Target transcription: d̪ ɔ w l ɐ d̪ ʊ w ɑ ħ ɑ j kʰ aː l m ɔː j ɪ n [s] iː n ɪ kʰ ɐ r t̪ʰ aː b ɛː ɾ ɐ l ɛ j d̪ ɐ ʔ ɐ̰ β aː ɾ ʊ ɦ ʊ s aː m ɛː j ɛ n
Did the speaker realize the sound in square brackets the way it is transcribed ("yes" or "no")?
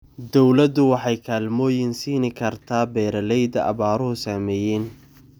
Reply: yes